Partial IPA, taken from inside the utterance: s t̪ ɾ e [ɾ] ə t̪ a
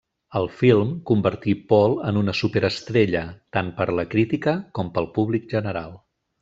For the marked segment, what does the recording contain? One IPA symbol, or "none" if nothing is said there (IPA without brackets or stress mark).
ʎ